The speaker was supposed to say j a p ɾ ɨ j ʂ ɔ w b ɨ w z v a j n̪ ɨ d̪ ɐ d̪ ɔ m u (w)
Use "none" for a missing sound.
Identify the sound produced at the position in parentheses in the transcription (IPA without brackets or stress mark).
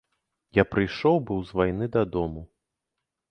none